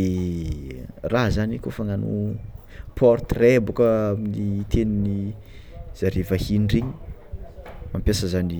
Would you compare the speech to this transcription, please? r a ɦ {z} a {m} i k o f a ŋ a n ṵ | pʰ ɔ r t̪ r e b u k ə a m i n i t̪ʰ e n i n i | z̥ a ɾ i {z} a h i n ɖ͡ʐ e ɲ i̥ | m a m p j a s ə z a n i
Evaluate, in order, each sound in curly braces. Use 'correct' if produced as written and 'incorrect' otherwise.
correct, incorrect, incorrect

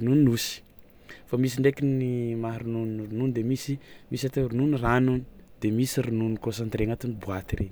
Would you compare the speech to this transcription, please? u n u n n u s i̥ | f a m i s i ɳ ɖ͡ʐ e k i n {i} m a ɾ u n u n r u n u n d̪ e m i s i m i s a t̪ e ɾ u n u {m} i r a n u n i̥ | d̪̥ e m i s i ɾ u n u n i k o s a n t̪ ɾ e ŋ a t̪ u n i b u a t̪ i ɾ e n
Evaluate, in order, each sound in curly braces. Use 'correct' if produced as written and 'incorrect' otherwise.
correct, incorrect

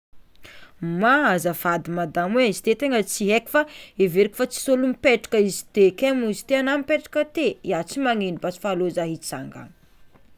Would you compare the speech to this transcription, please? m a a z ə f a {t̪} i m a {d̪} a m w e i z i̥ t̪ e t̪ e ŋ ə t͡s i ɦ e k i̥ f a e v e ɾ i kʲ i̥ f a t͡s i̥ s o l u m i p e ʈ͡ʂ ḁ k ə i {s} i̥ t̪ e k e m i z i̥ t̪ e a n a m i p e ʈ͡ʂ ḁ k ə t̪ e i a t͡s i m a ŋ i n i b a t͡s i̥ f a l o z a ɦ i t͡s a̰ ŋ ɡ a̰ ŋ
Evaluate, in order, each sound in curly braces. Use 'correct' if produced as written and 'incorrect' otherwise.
incorrect, correct, incorrect

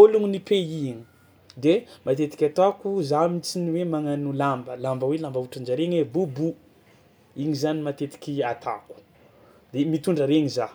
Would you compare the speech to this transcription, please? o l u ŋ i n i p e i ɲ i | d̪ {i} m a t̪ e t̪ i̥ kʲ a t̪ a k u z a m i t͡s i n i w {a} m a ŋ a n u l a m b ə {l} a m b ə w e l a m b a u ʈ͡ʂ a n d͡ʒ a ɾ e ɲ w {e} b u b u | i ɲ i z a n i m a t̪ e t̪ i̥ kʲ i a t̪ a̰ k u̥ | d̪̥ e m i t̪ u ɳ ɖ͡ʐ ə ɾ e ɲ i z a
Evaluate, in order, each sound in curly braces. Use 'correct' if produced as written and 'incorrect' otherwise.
incorrect, incorrect, correct, correct

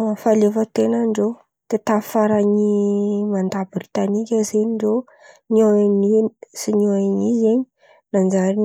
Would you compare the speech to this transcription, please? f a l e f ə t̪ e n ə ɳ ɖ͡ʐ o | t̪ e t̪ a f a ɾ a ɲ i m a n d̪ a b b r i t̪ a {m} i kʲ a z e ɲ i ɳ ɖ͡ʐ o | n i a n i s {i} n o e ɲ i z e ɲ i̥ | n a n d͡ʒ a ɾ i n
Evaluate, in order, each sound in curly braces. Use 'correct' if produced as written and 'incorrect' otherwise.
incorrect, correct

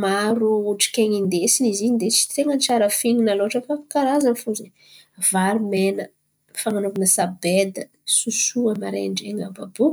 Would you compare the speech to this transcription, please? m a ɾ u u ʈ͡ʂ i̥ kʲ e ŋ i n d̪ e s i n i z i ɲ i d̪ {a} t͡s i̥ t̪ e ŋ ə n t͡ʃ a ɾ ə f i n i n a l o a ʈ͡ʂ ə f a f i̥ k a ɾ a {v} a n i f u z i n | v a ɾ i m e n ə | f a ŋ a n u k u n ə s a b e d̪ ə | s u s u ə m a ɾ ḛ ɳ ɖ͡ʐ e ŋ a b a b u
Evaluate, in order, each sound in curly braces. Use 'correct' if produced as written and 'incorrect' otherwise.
incorrect, incorrect

